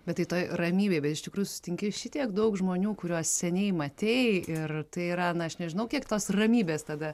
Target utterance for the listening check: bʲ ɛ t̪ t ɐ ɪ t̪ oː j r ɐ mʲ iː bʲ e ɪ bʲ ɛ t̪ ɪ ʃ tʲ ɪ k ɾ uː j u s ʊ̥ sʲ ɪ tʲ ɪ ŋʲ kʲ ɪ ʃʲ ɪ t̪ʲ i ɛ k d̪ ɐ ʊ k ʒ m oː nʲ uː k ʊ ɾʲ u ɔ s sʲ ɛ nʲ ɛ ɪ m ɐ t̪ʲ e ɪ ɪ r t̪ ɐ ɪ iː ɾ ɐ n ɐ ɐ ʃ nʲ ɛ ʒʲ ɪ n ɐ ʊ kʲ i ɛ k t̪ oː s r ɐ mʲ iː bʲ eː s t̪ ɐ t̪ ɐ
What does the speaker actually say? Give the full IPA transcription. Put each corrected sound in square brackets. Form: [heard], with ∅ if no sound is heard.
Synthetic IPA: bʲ ɛ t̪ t ɐ ɪ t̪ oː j r ɐ mʲ iː bʲ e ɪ bʲ ɛ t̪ ɪ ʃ tʲ ɪ k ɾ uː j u s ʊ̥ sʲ ɪ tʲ ɪ ŋʲ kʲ ɪ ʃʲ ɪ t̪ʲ i ɛ k d̪ ɐ ʊ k ʒ m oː nʲ uː k ʊ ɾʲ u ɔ s sʲ ɛ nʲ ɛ ɪ m ɐ t̪ʲ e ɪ ɪ r t̪ ɐ ɪ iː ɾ ɐ n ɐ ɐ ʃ nʲ ɛ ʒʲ ɪ n ɐ ʊ kʲ i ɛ k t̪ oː s r ɐ mʲ iː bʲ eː s t̪ ɐ [d̪] ɐ